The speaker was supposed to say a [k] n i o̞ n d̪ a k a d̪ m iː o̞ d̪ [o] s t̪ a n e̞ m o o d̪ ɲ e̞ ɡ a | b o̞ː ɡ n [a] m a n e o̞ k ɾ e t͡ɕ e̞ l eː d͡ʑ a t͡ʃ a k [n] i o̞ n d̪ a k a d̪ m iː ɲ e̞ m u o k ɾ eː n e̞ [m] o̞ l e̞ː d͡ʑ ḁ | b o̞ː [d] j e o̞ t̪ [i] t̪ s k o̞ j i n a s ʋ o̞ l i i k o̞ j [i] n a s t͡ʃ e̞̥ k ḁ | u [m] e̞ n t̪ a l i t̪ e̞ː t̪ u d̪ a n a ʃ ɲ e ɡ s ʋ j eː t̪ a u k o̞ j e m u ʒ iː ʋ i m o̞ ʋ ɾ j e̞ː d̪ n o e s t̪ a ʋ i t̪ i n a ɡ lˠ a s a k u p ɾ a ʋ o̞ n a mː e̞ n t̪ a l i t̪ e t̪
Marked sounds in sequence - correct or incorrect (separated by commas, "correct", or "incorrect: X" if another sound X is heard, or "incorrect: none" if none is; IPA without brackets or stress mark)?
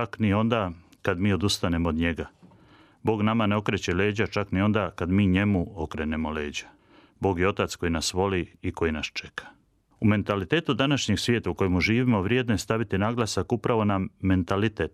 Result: correct, incorrect: u, correct, correct, correct, incorrect: ɡ, incorrect: a, correct, correct